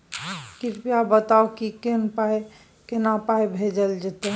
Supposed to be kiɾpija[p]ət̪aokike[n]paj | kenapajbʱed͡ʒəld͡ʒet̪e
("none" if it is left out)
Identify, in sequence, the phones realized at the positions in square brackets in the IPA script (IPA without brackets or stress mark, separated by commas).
b, n